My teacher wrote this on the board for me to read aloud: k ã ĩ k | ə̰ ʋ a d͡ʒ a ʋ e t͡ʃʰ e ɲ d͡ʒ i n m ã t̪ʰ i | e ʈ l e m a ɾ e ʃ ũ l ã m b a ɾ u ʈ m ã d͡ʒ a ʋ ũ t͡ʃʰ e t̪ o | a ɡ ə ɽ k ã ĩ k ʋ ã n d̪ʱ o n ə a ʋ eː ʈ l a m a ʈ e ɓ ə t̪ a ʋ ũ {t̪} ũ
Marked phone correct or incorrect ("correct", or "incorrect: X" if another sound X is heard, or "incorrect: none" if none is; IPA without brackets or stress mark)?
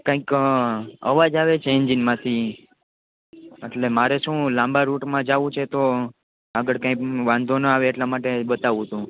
correct